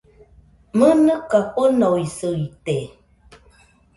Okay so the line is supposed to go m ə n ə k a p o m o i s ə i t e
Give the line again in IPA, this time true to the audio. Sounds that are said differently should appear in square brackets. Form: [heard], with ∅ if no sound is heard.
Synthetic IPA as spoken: m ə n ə k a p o [n] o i s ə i t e